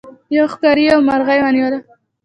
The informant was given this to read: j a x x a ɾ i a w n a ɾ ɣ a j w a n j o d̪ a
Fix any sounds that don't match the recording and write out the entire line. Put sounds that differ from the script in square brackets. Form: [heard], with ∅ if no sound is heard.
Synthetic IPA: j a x [k] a ɾ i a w [m] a ɾ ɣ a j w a n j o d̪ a